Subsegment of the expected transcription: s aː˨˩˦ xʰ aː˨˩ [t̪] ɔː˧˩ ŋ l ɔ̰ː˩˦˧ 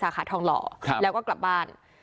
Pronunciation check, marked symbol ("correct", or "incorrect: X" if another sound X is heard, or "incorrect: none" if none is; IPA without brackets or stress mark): incorrect: t̪ʰ